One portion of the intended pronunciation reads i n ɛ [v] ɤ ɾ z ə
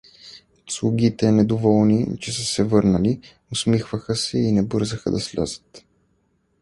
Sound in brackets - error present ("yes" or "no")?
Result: yes